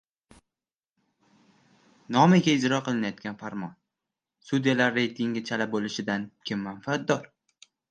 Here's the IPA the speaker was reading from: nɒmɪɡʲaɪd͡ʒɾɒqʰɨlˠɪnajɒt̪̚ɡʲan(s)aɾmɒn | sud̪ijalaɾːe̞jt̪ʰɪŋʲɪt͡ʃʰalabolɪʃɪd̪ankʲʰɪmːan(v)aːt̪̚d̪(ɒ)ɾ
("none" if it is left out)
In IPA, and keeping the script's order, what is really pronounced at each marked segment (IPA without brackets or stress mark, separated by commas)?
f, f, ɒ